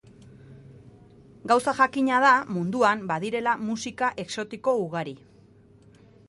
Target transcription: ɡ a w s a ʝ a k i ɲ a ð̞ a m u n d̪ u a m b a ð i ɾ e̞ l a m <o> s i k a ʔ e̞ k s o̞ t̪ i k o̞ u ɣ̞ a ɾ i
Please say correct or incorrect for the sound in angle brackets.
incorrect